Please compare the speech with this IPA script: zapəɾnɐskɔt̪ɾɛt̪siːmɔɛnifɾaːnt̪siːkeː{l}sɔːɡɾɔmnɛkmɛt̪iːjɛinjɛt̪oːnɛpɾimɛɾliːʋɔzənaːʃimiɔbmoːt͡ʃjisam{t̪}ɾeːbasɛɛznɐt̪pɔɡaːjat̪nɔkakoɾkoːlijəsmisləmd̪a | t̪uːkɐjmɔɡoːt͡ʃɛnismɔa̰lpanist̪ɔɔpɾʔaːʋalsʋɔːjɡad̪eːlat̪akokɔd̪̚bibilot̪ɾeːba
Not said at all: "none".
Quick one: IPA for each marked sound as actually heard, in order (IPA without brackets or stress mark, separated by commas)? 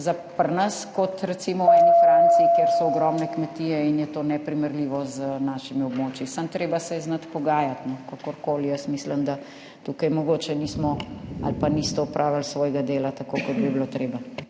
ɾ, t̪